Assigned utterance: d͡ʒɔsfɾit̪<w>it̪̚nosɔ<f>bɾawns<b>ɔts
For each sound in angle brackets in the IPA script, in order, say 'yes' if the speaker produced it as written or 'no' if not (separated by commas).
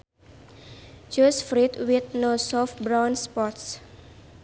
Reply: yes, yes, no